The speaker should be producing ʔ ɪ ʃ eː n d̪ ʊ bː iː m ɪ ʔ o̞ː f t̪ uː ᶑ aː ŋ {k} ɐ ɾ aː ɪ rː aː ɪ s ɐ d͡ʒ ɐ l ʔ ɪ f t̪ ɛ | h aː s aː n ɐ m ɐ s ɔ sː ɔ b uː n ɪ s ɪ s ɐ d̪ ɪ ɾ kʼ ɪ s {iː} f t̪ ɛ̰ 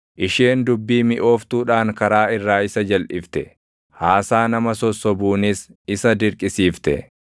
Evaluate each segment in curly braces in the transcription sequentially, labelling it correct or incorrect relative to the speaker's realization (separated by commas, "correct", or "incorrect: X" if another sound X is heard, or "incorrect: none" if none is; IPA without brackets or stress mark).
correct, correct